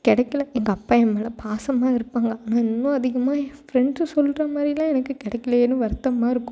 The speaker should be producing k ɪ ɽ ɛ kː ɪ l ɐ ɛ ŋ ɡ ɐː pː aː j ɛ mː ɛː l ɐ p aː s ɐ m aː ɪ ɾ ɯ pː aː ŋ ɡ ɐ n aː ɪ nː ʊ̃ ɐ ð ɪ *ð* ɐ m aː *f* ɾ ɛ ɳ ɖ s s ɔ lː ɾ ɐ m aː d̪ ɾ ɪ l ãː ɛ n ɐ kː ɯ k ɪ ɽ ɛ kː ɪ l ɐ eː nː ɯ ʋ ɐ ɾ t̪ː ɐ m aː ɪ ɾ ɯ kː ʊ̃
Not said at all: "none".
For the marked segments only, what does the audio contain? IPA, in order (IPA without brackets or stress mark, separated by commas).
ɣ, f